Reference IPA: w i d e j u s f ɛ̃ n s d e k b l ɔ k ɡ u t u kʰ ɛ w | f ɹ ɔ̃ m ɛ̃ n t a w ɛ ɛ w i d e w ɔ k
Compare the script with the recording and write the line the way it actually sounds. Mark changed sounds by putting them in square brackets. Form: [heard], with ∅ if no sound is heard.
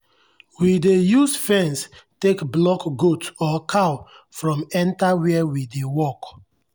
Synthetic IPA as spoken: w i d e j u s f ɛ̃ n s [t] e k b l ɔ k ɡ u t [ɔ] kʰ [a] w | f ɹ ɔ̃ m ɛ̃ n t a w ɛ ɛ w i d e w ɔ k

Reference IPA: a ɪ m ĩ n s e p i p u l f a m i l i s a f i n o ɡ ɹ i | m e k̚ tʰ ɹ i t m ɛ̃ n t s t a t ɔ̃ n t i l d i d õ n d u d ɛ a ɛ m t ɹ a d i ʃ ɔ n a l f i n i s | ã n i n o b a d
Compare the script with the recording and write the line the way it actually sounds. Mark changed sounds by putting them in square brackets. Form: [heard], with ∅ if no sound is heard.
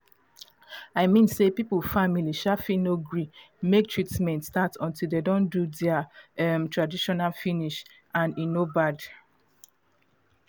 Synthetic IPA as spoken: a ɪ m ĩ n s e p i p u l f a m i l i [ʃ] a f i n o ɡ ɹ i | m e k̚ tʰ ɹ i t m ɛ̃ n t s t a t ɔ̃ n t i l d [e] d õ n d u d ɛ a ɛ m t ɹ a d i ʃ ɔ n a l f i n i [ʃ] | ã n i n o b a d

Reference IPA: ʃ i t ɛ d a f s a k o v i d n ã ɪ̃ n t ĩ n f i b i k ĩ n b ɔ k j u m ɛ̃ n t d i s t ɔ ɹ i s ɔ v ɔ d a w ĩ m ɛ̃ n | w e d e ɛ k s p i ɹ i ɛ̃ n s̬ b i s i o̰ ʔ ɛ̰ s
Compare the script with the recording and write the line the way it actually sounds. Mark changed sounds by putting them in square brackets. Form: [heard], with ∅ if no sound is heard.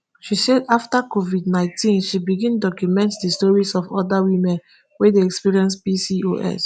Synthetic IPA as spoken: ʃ i [s] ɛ d a f [t] a k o v i d n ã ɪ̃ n t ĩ n [ʃ] i b i [ɡ] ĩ n [d] ɔ k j u m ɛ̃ n t d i s t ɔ ɹ i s ɔ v ɔ d a w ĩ m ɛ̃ n | w e d e ɛ k s p i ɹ i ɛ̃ n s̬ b i s i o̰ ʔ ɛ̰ s

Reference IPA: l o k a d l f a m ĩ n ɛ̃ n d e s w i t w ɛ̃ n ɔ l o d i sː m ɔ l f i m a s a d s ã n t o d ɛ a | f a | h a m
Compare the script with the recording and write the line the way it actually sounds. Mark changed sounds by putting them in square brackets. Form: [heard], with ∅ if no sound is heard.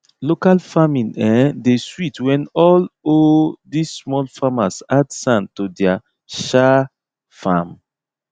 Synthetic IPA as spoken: l o k a [∅] l f a m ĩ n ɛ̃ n d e s w i t w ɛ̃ n ɔ l o d i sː m ɔ l f [a] m a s a d s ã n t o d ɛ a | [ʃ] a | [f] a m

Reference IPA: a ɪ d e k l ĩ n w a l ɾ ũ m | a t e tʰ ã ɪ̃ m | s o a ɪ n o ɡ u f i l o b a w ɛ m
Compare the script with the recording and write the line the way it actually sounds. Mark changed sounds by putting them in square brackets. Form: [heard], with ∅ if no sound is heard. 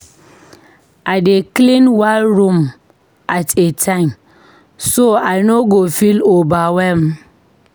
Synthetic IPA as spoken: a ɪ d e k l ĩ n w a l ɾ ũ m | a t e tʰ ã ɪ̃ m | s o a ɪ n o ɡ [o] f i l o b a w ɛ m

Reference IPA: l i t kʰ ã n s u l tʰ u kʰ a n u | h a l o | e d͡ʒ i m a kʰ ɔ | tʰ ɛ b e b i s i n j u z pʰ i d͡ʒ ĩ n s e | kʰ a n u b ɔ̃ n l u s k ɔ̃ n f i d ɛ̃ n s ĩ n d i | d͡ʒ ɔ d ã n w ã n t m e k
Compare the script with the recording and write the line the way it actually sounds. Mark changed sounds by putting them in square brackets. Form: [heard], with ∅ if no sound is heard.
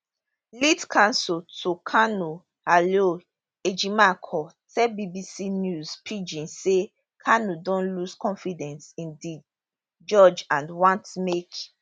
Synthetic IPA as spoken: l i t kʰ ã n s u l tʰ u kʰ a n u | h a l o | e d͡ʒ i m a kʰ ɔ | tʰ ɛ b [i] b i s i n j u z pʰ i d͡ʒ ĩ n s e | kʰ a n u [d] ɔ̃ n l u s k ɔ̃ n f i d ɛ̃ n s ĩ n d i | d͡ʒ ɔ [d͡ʒ] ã n w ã n t m e k

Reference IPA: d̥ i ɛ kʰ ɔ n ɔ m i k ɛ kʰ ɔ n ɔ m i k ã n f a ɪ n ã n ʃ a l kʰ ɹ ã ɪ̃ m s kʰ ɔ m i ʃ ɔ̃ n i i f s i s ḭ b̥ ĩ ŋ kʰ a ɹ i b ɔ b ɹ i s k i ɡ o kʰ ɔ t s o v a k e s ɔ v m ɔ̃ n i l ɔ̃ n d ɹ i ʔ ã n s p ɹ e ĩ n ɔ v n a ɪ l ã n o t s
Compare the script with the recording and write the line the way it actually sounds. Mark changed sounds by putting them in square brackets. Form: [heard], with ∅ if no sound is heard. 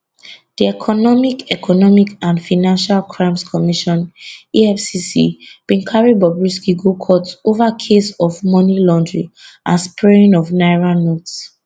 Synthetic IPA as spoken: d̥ i ɛ kʰ ɔ n ɔ m i k ɛ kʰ ɔ n ɔ m i k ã n f a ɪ n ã n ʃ a l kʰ ɹ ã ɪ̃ m s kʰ ɔ m i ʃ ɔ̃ n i [ɛ] f s i s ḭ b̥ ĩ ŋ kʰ a ɹ i b ɔ b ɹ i s k i ɡ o kʰ ɔ t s o v a [kʰ] e s ɔ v m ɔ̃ n i l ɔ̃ n d ɹ i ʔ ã n s p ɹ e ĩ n ɔ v n a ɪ [ɹ] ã n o t s

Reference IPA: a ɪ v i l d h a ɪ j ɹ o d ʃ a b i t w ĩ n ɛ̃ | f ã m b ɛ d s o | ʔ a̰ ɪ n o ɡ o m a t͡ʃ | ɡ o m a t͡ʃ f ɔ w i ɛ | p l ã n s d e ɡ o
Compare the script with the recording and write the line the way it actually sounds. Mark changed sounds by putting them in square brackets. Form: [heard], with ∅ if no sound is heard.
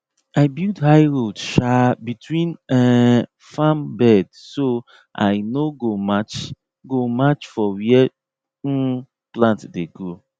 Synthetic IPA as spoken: a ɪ [b] i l d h a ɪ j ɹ o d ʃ a b i t w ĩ n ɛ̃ | f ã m b ɛ d s o | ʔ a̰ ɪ n o ɡ o m a t͡ʃ | ɡ o m a t͡ʃ f ɔ w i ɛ | p l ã n [t] d e ɡ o

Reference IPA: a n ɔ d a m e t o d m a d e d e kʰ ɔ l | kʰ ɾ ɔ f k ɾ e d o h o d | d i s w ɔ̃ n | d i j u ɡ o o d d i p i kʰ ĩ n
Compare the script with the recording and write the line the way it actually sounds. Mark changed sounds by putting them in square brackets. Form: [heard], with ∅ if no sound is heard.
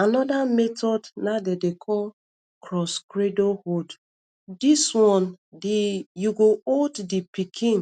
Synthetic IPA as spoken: a n ɔ d a m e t [ɔ] d [n] a d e d e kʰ ɔ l | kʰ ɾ ɔ [s] k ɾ e d o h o d | d i s w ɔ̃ n | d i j u ɡ o o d d i p i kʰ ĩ n

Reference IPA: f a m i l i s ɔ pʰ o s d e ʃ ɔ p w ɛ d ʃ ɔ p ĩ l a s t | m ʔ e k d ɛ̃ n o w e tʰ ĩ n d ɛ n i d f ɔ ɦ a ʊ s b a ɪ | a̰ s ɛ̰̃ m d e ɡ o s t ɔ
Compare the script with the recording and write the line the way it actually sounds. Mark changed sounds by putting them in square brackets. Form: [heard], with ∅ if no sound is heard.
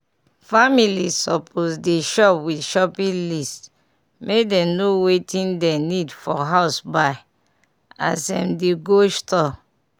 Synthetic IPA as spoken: f a m i l i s ɔ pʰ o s d e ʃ ɔ p w [i] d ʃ ɔ p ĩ l [i] s t | m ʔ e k d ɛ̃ n o w e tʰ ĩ n d ɛ n i d f ɔ ɦ a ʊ s b a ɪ | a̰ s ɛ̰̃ m d e ɡ o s t ɔ

